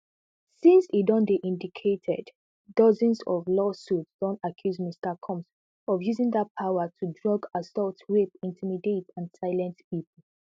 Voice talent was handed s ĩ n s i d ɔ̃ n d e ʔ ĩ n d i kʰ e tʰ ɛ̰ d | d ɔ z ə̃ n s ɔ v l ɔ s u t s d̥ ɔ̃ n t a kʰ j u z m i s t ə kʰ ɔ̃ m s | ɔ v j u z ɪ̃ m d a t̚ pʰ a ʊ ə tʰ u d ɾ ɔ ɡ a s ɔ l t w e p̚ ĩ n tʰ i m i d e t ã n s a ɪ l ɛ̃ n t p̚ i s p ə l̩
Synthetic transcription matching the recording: s ĩ n s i d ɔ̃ n d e ʔ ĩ n d i kʰ e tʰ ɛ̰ d | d ɔ z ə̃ n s ɔ v l ɔ s u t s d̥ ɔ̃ n t a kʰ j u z m i s t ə kʰ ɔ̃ m s | ɔ v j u z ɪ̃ ŋ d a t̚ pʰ a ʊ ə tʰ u d ɹ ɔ ɡ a s ɔ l t w e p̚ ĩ n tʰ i m i d e t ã n s a ɪ l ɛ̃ n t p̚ i p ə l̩